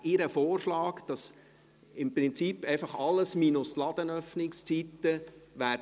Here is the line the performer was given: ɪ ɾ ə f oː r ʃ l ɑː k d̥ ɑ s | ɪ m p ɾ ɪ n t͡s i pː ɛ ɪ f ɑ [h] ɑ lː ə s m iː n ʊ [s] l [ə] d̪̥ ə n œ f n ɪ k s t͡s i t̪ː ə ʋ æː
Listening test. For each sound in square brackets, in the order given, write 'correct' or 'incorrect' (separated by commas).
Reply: incorrect, correct, incorrect